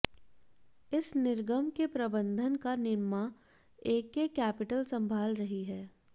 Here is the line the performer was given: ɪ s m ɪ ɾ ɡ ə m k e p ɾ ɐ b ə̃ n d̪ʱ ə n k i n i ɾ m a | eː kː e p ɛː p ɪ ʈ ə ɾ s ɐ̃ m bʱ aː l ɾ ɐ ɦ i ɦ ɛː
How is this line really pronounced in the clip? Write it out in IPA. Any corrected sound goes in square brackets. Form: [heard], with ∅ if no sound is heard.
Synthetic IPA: ɪ s [n] ɪ ɾ ɡ ə m k e p ɾ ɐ b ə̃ n d̪ʱ ə n k [a] n [ɪ] ɾ m a | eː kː e [k] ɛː p ɪ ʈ ə [l] s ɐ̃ m bʱ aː l ɾ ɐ ɦ i ɦ ɛː